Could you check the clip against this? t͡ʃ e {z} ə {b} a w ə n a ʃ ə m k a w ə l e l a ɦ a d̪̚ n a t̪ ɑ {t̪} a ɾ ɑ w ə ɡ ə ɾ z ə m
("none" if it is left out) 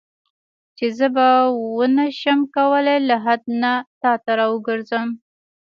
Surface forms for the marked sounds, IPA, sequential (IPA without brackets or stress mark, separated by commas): z, b, t̪